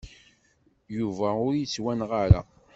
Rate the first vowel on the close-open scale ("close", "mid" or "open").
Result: close